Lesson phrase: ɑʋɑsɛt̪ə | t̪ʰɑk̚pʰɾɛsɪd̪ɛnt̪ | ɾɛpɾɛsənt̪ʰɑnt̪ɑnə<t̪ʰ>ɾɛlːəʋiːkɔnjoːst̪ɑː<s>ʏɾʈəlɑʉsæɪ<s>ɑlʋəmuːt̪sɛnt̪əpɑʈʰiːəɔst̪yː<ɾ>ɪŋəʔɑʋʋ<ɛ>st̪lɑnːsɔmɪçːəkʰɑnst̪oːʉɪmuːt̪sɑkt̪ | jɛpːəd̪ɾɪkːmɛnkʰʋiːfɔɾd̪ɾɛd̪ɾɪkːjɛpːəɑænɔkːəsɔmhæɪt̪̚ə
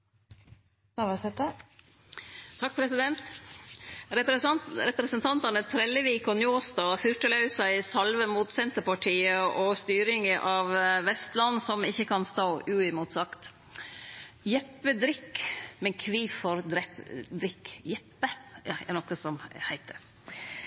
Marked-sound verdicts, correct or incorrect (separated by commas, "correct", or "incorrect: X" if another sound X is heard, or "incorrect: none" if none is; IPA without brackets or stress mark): correct, incorrect: f, correct, correct, correct